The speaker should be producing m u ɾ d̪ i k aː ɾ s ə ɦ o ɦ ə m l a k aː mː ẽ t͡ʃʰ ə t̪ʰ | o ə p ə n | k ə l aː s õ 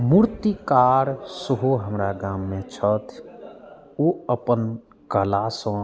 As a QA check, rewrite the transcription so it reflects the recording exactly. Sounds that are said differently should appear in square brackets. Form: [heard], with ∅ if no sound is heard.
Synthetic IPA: m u ɾ [t̪] i k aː ɾ s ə ɦ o ɦ ə m [ɾ] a [ɡ] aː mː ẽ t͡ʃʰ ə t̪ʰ | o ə p ə n | k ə l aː s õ